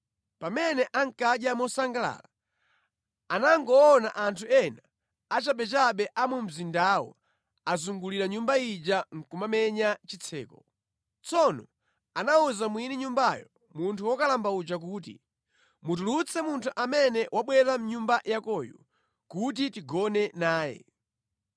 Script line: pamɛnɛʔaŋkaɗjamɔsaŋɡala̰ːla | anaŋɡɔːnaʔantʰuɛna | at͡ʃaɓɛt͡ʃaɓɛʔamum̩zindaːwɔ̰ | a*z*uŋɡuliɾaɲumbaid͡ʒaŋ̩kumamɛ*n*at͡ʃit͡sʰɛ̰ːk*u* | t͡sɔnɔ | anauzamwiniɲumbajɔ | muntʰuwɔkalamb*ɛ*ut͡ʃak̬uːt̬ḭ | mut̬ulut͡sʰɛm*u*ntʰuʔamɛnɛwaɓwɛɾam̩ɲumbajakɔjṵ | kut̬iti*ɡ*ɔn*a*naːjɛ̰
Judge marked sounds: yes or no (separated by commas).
yes, no, no, no, yes, yes, no